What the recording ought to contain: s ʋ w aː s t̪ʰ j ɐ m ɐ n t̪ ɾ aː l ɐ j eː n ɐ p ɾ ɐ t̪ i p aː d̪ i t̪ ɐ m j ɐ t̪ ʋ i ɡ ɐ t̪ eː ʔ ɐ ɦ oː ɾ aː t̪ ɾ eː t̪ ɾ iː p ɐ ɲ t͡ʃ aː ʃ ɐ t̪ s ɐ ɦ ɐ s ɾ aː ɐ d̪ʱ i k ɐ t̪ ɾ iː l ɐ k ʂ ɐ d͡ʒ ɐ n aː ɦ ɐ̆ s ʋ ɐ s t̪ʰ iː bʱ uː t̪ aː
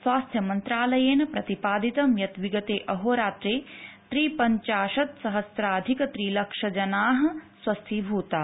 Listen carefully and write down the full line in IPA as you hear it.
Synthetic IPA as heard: s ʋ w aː s t̪ʰ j ɐ m ɐ n t̪ ɾ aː l ɐ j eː n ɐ p ɾ ɐ t̪ i p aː d̪ i t̪ ɐ m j ɐ t̪ ʋ i ɡ ɐ t̪ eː ʔ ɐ ɦ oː ɾ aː t̪ ɾ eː t̪ ɾ iː p ɐ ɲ t͡ʃ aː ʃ ɐ t̪ s ɐ ɦ ɐ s ɾ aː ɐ d̪ʱ i k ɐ t̪ ɾ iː l ɐ k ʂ ɐ d͡ʒ ɐ n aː ɦ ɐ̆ s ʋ ɐ s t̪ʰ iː bʱ uː t̪ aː

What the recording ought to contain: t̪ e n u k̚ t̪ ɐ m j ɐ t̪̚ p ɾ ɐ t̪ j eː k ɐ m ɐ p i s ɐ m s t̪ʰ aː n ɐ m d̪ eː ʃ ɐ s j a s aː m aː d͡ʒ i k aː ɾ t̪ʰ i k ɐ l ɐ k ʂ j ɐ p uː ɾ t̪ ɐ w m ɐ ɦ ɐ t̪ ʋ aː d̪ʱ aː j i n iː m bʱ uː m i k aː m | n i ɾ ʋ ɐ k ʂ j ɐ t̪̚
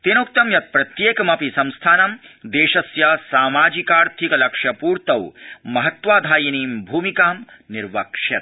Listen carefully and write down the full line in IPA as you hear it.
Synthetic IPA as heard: t̪ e n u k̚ t̪ ɐ m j ɐ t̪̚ p ɾ ɐ t̪ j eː k ɐ m ɐ p i s ɐ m s t̪ʰ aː n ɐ m d̪ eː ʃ ɐ s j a s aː m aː d͡ʒ i k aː ɾ t̪ʰ i k ɐ l ɐ k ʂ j ɐ p uː ɾ t̪ ɐ w m ɐ ɦ ɐ t̪ ʋ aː d̪ʱ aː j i n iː m bʱ uː m i k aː m | n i ɾ ʋ ɐ k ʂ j ɐ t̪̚

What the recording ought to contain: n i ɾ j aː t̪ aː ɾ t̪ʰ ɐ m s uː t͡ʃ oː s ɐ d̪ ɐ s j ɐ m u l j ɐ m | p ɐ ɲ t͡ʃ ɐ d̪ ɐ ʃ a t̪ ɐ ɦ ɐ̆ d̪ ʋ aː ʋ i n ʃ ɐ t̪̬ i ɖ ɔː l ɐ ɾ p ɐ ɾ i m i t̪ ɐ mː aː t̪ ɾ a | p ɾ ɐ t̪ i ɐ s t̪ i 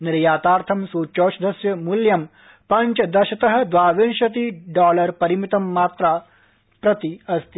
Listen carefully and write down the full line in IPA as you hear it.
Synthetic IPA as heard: n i ɾ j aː t̪ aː ɾ t̪ʰ ɐ m s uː t͡ʃ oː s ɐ d̪ ɐ s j ɐ m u l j ɐ m | p ɐ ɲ t͡ʃ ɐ d̪ ɐ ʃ ɐ t̪ ɐ ɦ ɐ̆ d̪ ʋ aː ʋ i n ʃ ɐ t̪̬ i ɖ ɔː l ɐ ɾ p ɐ ɾ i m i t̪ ɐ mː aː t̪ ɾ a | p ɾ ɐ t̪ i ɐ s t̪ i

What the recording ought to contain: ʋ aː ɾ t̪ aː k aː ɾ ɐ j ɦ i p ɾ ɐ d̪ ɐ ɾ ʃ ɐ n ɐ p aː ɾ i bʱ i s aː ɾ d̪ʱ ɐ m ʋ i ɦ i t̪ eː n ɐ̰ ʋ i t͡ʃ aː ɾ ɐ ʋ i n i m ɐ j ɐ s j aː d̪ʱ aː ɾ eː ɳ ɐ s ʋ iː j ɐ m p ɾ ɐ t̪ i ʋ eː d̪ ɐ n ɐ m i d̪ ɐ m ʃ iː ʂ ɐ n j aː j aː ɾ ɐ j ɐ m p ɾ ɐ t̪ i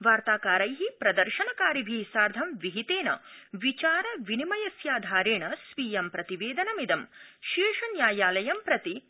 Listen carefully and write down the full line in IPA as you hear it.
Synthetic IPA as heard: ʋ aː ɾ t̪ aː k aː ɾ ɐ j ɦ i p ɾ ɐ d̪ ɐ ɾ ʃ ɐ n ɐ k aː ɾ i bʱ i s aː ɾ d̪ʱ ɐ m ʋ i ɦ i t̪ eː n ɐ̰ ʋ i t͡ʃ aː ɾ ɐ ʋ i n i m ɐ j ɐ s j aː d̪ʱ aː ɾ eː ɳ ɐ s ʋ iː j ɐ m p ɾ ɐ t̪ i ʋ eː d̪ ɐ n ɐ m i d̪ ɐ m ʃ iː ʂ ɐ n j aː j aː l ɐ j ɐ m p ɾ ɐ t̪ i

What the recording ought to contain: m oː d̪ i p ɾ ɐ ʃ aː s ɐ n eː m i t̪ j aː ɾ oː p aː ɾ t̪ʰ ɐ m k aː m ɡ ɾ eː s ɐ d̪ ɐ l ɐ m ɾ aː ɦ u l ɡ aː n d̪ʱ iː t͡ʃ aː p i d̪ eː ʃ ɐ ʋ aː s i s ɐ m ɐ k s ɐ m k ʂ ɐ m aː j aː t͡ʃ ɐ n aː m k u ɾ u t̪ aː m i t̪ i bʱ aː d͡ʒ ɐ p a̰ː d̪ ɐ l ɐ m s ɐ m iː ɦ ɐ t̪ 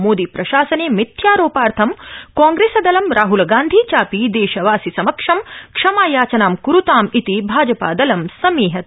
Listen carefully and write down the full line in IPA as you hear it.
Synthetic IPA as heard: m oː d̪ i p ɾ ɐ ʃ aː s ɐ n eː m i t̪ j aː ɾ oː p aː ɾ t̪ʰ ɐ m k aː ŋ ɡ ɾ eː s ɐ d̪ ɐ l ɐ m ɾ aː ɦ u l ɡ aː n d̪ʱ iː t͡ʃ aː p i d̪ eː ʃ ɐ ʋ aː s i s ɐ m ɐ k ʂ ɐ m k ʂ ɐ m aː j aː t͡ʃ ɐ n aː m k u ɾ u t̪ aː m i t̪ i bʱ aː d͡ʒ ɐ p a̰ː d̪ ɐ l ɐ m s ɐ m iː ɦ ɐ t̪

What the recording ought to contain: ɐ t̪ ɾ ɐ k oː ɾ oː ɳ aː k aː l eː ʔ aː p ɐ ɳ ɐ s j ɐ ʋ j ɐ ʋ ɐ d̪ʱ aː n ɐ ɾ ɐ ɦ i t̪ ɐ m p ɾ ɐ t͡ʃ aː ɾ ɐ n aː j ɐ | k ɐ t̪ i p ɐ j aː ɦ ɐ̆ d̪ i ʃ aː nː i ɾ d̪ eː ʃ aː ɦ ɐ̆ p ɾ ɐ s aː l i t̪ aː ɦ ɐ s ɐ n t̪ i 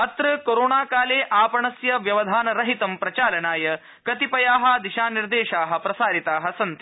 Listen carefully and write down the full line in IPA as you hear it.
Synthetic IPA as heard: ɐ t̪ ɾ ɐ k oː ɾ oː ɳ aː k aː l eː ʔ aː p ɐ ɳ ɐ s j ɐ ʋ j ɐ ʋ ɐ d̪ʱ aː n ɐ ɾ ɐ ɦ i t̪ ɐ m p ɾ ɐ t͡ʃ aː l ɐ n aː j ɐ | k ɐ t̪ i p ɐ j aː ɦ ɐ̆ d̪ i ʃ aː n i ɾ d̪ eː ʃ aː ɦ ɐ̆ p ɾ ɐ s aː ɾ i t̪ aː ɦ ɐ s ɐ n t̪ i

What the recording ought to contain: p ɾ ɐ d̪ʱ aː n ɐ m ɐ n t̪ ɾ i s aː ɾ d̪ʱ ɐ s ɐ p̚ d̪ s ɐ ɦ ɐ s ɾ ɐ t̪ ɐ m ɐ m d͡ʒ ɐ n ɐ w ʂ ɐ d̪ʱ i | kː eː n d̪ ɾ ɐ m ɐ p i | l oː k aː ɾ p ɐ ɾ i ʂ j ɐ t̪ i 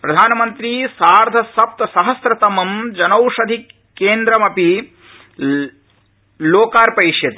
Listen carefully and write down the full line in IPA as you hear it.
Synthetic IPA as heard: p ɾ ɐ d̪ʱ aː n ɐ m ɐ n t̪ ɾ i s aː ɾ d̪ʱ ɐ s ɐ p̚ t̪ s ɐ ɦ ɐ s ɾ ɐ t̪ ɐ m ɐ m d͡ʒ ɐ n ɐ w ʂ ɐ d̪ʱ i | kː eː n d̪ ɾ ɐ m ɐ p i | l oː k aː ɾ p ɐ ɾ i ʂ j ɐ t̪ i

